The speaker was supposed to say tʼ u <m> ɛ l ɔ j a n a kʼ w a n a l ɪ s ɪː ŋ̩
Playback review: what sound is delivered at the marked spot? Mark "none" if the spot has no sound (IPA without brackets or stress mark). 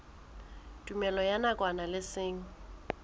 m